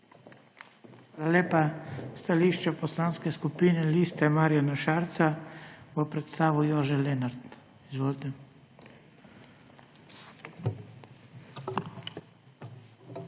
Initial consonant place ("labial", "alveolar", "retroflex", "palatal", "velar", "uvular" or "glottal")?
velar